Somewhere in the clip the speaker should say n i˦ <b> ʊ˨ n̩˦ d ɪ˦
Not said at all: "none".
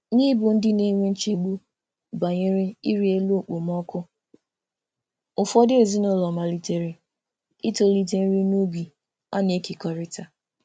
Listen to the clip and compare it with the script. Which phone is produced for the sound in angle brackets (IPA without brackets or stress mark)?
b